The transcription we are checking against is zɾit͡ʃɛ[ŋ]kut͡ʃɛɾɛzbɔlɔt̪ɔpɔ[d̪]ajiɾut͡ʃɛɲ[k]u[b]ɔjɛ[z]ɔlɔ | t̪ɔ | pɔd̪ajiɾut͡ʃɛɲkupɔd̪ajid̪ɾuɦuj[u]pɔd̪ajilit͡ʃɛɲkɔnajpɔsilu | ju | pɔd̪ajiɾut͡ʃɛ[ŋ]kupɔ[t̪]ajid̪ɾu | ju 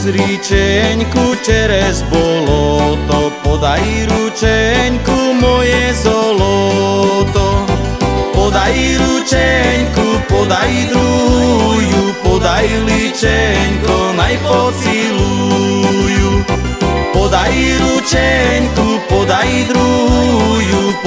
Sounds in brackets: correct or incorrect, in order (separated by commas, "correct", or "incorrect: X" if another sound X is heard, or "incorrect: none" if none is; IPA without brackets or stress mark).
incorrect: ɲ, correct, correct, incorrect: m, correct, correct, incorrect: ɲ, incorrect: d̪